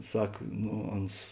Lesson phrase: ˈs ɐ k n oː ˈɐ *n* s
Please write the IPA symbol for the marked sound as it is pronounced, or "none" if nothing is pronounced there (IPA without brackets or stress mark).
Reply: n